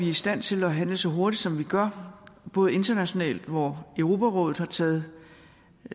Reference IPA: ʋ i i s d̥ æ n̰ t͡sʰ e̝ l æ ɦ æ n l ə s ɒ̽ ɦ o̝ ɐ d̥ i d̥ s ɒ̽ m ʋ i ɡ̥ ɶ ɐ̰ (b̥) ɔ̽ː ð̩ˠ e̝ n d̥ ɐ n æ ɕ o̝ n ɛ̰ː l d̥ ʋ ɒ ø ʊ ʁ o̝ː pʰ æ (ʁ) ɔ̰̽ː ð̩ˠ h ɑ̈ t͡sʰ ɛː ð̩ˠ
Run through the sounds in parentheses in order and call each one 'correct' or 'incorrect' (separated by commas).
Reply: correct, correct